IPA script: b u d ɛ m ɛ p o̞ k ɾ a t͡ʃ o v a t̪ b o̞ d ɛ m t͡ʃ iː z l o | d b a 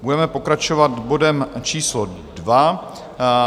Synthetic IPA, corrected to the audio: b u d ɛ m ɛ p o̞ k ɾ a t͡ʃ o v a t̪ b o̞ d ɛ m t͡ʃ iː s l o | d v a